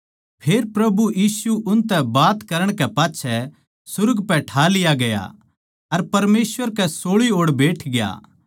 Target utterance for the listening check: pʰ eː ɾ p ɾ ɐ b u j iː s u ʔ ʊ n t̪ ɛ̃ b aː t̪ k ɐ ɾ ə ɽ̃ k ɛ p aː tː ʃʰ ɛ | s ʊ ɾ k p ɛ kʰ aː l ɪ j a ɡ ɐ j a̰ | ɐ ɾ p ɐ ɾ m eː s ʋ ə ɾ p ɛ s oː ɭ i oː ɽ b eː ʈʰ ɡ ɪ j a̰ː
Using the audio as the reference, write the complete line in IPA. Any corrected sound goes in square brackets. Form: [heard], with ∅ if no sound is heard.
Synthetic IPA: pʰ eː ɾ p ɾ ɐ b u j iː s u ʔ ʊ n t̪ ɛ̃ b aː t̪ k ɐ ɾ ə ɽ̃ k ɛ p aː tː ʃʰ ɛ | s ʊ ɾ [ɡ] p ɛ [ʈʰ] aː l ɪ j a ɡ ɐ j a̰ | ɐ ɾ p ɐ ɾ m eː s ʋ ə ɾ [k] ɛ s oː ɭ i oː ɽ b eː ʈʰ ɡ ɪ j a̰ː